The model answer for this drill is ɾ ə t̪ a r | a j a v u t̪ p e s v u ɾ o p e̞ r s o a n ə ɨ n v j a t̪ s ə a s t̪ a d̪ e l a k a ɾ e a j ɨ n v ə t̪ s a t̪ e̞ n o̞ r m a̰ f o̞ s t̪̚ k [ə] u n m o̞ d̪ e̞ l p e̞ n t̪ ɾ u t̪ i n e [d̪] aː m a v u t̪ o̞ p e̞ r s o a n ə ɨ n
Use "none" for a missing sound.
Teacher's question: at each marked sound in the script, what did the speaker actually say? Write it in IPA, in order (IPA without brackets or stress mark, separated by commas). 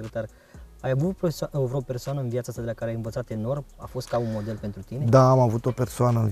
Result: a, d̪